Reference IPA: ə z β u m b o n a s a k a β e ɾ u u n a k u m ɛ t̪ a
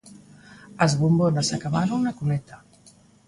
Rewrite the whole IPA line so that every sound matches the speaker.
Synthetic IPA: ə z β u m b o n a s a k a β a ɾ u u n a k u m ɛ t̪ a